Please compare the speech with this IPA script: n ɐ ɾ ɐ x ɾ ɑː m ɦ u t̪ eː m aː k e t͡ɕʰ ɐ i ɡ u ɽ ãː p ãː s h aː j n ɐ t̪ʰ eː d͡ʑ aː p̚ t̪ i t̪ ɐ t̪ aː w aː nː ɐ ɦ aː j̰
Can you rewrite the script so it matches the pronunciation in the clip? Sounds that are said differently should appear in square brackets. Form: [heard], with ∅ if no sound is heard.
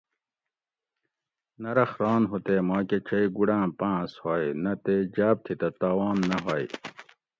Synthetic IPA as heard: n ɐ ɾ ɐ x ɾ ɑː [n] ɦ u t̪ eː m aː k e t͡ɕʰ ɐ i ɡ u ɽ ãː p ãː s h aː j n ɐ [t̪] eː d͡ʑ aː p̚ [t̪ʰ] i t̪ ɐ t̪ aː w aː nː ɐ ɦ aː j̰